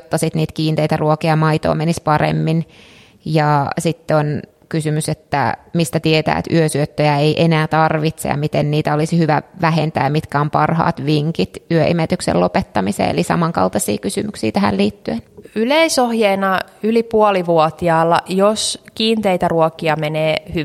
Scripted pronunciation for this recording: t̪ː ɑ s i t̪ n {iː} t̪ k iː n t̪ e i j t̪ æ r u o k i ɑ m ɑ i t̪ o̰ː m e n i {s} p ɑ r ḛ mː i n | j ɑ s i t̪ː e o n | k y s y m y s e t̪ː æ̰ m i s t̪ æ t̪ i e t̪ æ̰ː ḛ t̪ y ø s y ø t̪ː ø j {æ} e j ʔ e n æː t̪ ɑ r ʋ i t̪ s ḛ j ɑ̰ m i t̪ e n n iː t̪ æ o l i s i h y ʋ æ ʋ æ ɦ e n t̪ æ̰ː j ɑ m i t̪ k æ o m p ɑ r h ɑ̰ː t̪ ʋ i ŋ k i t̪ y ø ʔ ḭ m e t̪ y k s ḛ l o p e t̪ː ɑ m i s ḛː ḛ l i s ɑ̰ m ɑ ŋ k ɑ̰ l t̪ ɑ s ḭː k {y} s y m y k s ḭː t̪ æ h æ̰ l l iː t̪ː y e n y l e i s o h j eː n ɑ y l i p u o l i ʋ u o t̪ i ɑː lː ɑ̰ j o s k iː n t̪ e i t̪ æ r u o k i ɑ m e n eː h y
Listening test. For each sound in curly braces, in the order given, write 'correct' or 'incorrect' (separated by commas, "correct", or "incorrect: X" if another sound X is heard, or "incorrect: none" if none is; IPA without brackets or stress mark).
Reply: correct, correct, correct, correct